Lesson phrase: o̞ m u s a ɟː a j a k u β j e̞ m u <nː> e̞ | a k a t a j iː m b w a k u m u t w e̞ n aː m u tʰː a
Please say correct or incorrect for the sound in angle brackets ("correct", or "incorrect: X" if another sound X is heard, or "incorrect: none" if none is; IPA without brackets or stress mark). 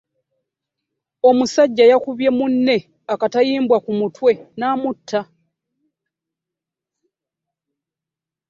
correct